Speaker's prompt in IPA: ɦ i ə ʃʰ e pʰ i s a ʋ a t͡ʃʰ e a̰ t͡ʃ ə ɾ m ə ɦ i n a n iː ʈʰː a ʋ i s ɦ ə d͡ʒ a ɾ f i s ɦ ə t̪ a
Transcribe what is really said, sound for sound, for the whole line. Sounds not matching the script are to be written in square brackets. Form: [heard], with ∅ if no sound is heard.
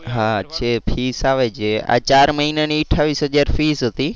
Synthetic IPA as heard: ɦ [a] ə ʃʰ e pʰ i s a ʋ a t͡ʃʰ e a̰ t͡ʃ [a] ɾ m ə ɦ i n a n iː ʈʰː a ʋ i s ɦ ə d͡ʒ a ɾ f i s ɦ ə t̪ [i]